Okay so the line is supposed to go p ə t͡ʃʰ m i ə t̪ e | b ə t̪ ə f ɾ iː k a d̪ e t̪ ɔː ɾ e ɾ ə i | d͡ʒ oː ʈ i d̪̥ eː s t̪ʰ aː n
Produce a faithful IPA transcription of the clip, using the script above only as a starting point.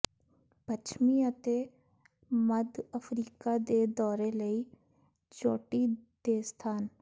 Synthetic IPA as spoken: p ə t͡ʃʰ m i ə t̪ e | m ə d̪ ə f ɾ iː k a d̪ e d̪ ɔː ɾ e l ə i | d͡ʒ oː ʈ i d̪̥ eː s t̪ʰ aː n